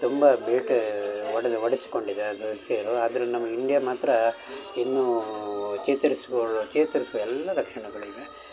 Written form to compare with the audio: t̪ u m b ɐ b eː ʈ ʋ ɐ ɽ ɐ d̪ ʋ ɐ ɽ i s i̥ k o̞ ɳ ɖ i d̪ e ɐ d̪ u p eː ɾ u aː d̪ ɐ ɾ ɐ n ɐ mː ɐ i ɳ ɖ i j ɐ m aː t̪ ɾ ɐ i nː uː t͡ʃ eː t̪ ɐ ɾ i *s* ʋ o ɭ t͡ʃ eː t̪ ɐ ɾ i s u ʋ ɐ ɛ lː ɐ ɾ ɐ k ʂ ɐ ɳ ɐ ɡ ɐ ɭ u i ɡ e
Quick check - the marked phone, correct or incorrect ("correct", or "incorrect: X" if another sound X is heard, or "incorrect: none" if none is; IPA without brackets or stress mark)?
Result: correct